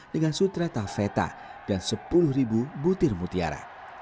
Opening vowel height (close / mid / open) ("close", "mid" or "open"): mid